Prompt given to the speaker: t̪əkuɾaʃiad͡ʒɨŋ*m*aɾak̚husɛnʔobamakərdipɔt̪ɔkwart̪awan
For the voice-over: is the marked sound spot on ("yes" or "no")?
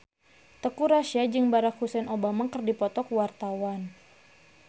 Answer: no